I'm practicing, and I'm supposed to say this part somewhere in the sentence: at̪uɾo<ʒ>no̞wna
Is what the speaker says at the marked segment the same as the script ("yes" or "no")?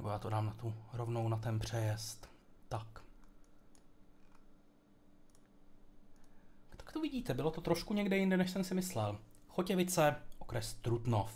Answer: no